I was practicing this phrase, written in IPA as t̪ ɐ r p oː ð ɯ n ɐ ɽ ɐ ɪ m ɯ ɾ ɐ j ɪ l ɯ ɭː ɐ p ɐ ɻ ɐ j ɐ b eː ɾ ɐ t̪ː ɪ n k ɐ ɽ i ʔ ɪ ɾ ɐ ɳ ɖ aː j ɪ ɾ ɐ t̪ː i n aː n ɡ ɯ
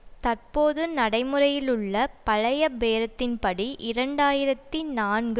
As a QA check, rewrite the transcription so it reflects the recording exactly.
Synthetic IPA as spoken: t̪ ɐ r p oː ð ɯ n ɐ ɽ ɐ ɪ m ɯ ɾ ɐ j ɪ l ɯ ɭː ɐ p ɐ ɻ ɐ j ɐ b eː ɾ ɐ t̪ː ɪ n p ɐ ɽ i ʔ ɪ ɾ ɐ ɳ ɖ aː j ɪ ɾ ɐ t̪ː i n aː n ɡ ɯ